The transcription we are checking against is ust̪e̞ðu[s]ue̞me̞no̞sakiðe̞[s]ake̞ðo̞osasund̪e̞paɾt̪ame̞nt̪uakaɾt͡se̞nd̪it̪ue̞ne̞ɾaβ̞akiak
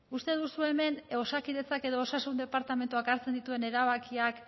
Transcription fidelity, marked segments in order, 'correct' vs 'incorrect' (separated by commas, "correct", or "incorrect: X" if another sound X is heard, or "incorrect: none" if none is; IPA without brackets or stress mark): correct, incorrect: t͡s